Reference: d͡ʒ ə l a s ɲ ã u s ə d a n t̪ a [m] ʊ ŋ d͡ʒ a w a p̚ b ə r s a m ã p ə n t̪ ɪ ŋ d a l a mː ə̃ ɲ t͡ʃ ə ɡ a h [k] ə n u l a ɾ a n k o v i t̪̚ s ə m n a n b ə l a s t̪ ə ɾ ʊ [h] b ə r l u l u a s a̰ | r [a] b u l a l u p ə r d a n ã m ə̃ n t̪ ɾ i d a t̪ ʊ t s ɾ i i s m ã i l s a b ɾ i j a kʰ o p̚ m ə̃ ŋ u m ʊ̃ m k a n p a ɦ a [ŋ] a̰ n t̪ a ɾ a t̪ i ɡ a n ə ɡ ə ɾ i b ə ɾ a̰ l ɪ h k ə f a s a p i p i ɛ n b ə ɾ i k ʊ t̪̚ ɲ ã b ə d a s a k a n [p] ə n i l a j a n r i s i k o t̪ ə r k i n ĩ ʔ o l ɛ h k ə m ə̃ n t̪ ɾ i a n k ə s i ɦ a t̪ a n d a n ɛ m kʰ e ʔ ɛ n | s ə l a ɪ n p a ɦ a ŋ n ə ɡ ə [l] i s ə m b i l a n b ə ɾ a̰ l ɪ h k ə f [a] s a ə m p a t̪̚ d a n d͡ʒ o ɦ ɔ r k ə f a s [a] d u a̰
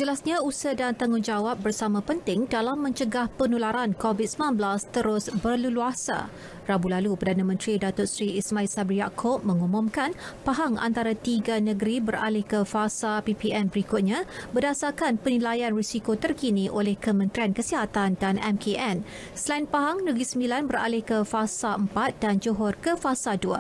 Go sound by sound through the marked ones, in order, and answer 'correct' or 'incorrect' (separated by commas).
incorrect, incorrect, incorrect, correct, correct, correct, incorrect, correct, correct